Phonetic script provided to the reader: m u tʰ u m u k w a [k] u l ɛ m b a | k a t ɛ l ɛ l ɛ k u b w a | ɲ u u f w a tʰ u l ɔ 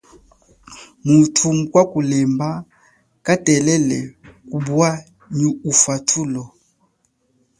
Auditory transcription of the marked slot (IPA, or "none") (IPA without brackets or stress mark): k